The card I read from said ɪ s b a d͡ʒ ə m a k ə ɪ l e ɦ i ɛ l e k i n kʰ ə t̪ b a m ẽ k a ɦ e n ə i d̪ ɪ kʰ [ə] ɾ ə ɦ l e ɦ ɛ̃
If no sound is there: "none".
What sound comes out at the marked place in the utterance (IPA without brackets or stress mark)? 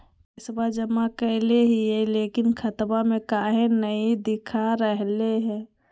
a